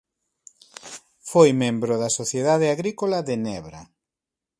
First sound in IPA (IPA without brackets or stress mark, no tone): f